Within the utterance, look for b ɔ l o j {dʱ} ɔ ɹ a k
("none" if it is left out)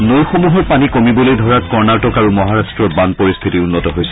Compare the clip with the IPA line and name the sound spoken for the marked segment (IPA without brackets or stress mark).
dʱ